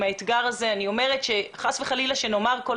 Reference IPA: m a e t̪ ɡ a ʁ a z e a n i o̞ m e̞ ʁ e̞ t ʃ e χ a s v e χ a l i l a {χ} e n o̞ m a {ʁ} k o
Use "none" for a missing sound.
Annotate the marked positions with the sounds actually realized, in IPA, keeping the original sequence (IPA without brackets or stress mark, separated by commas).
ʃ, ʁ